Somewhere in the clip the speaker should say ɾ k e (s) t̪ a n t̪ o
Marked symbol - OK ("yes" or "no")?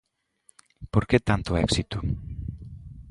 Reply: no